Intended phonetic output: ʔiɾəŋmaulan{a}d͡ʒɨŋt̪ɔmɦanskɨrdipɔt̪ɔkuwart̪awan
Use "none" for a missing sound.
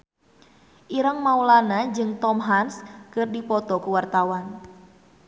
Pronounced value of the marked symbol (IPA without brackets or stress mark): a